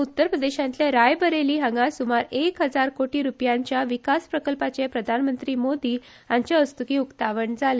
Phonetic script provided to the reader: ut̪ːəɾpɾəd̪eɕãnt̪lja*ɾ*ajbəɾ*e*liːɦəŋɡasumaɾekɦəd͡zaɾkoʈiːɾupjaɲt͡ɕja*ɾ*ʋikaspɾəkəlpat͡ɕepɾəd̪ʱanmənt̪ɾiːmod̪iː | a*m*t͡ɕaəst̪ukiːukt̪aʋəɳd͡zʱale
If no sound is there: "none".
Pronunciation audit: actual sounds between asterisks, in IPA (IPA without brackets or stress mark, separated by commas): ɾ, e, none, ɲ